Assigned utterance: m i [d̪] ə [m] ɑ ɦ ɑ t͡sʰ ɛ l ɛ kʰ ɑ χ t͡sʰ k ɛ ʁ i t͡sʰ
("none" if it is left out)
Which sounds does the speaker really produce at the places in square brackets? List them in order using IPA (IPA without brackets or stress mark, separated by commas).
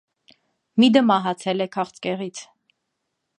d̪, m